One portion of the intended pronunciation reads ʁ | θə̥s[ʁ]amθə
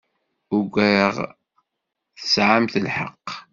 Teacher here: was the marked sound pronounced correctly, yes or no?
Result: no